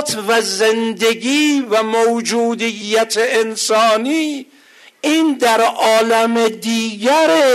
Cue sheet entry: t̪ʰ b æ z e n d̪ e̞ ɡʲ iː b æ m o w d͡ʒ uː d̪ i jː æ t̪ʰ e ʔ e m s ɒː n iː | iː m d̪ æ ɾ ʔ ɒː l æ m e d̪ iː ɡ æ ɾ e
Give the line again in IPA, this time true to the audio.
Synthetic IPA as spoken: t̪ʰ v æ z e n d̪ e̞ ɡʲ iː v æ m o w d͡ʒ uː d̪ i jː æ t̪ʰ e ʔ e n s ɒː n iː | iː n d̪ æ ɾ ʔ ɒː l æ m e d̪ iː ɡ æ ɾ e